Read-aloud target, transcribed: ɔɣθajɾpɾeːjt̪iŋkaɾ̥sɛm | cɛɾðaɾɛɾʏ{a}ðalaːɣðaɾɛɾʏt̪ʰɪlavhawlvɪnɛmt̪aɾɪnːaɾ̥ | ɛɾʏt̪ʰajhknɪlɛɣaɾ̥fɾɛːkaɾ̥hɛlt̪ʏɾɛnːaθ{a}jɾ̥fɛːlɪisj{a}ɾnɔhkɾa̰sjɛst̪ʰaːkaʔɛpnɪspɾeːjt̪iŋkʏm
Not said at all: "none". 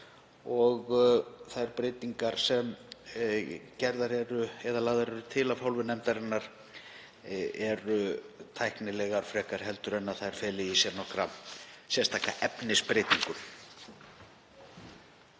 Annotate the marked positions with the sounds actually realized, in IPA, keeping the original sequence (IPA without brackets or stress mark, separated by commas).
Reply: ɛ, a, ɛ